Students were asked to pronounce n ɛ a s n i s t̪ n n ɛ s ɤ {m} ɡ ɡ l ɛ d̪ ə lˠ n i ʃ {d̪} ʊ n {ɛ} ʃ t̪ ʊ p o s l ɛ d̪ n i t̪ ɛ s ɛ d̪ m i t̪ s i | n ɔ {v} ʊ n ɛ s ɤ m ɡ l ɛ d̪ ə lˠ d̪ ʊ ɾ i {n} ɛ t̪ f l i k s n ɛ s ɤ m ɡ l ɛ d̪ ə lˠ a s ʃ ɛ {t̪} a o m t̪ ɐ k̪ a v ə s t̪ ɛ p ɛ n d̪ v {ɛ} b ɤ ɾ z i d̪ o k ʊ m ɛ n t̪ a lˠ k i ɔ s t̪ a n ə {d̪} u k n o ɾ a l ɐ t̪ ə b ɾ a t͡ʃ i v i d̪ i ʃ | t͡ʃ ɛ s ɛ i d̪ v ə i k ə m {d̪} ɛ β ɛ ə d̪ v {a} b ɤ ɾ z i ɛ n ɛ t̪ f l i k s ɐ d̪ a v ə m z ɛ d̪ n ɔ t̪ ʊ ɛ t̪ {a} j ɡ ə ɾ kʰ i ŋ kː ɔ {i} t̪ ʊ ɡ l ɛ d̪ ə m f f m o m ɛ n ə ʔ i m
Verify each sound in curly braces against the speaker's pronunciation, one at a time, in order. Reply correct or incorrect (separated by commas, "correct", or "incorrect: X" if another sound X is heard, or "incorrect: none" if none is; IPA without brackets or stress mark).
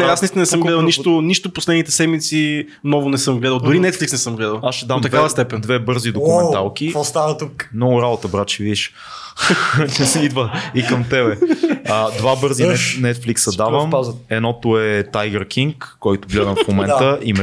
correct, incorrect: t̪, incorrect: i, correct, correct, incorrect: d̪, correct, incorrect: t̪, incorrect: t̪, correct, correct, incorrect: j